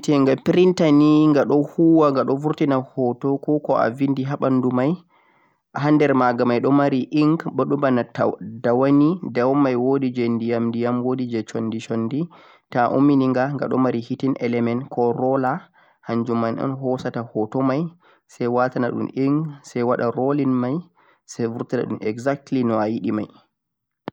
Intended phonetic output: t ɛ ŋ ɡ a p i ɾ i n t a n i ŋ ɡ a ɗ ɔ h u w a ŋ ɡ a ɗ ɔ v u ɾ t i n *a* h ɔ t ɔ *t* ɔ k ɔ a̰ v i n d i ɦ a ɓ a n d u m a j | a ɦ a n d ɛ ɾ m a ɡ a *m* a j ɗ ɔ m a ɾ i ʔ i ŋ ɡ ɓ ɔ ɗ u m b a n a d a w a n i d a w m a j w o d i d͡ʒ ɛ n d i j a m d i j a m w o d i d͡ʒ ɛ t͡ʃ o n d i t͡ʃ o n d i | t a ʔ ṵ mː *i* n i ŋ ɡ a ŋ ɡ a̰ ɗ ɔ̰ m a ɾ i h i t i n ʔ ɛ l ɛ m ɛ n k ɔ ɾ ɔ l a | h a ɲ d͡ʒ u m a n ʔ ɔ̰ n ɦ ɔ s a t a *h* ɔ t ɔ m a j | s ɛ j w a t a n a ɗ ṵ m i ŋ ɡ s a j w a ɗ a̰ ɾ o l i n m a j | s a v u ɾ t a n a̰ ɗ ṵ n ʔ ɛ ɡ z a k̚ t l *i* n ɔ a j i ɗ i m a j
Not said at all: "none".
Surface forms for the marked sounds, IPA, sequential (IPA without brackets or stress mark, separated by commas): a, k, m, i, h, i